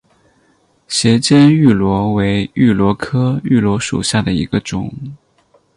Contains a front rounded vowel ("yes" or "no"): yes